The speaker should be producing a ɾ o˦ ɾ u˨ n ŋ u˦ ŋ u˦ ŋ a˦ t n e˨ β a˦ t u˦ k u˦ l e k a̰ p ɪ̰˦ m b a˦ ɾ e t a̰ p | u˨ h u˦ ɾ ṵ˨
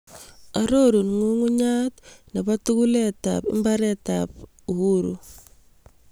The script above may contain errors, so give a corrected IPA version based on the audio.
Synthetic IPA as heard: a ɾ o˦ ɾ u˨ n ŋ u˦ ŋ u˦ ɲ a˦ t n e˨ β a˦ t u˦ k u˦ l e t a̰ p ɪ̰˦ m b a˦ ɾ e t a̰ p | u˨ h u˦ ɾ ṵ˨